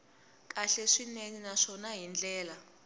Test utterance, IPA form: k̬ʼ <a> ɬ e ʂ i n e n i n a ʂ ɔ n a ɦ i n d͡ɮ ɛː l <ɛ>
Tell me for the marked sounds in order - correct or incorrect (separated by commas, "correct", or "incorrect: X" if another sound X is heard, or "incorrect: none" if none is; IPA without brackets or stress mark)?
correct, incorrect: a